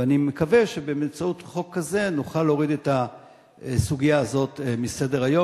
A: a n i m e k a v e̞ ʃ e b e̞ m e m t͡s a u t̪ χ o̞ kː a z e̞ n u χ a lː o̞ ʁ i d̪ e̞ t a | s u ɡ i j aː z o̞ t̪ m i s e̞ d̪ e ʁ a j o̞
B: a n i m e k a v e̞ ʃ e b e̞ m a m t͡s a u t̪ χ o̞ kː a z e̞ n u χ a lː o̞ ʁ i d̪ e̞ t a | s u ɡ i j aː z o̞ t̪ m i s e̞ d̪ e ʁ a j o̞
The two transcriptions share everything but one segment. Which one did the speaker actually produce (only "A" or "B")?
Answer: A